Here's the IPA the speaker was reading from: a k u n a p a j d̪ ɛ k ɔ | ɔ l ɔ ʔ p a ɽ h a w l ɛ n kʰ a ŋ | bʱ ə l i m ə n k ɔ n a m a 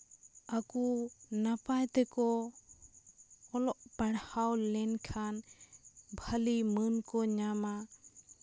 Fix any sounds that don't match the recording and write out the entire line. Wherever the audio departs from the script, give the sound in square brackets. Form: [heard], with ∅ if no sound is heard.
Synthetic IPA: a k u n a p a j [t̪] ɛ k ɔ | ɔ l ɔ ʔ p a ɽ h a w l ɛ n kʰ a [n] | bʱ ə l i m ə n k ɔ [ɲ] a m a